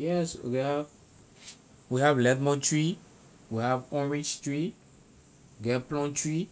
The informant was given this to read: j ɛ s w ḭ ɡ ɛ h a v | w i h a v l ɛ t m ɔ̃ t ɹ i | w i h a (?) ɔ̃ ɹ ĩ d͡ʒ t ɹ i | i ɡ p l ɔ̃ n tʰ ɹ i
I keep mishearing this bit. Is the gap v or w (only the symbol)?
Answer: v